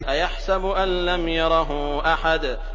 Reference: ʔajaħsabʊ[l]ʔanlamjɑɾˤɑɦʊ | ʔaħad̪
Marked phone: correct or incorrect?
incorrect